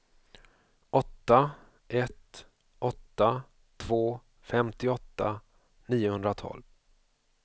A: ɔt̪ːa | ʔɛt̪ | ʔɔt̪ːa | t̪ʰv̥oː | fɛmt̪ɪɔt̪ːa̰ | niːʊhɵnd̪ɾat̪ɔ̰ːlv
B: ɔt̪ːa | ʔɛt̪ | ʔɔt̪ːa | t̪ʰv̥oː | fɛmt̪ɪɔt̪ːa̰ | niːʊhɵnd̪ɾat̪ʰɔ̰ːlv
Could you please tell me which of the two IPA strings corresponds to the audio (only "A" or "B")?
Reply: B